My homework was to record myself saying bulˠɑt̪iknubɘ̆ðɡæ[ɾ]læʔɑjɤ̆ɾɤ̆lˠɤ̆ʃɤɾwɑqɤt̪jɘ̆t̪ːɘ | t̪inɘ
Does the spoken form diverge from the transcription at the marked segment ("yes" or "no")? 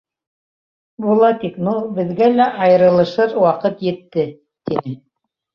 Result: yes